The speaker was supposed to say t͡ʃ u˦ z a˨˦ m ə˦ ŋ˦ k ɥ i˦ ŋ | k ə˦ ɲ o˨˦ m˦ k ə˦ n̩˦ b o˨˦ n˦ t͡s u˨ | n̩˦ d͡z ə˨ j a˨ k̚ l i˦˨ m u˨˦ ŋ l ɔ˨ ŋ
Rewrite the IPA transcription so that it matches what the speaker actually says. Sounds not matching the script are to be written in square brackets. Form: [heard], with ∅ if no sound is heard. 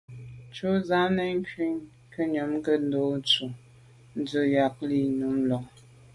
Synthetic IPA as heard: t͡ʃ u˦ z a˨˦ [n] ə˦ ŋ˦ k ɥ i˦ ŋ | k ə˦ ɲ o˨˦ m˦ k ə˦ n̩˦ [d] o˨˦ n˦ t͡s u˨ | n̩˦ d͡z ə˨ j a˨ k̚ l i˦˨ [n] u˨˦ [m] l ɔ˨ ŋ